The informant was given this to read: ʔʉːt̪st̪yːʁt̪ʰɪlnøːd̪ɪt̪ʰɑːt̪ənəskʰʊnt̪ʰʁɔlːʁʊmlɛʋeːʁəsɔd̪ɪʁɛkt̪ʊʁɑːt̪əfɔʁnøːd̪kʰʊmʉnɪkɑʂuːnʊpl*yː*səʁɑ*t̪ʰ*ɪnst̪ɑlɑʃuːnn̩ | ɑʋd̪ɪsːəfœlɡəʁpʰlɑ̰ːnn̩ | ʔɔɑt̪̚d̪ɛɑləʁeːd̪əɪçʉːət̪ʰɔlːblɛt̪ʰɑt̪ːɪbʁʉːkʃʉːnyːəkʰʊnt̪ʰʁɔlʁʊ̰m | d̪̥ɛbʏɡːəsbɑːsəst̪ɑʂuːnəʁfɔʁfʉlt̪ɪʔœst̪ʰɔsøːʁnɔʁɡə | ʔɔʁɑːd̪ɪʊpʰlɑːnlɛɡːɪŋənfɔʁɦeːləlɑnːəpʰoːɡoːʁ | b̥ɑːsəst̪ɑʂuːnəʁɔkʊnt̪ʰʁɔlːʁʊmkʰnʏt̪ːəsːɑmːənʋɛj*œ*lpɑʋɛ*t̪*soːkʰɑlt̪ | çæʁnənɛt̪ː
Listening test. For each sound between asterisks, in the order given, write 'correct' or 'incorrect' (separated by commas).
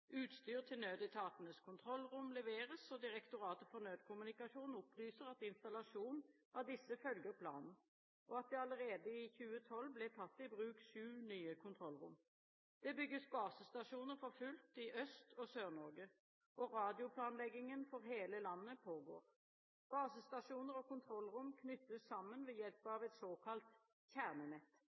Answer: correct, incorrect, incorrect, correct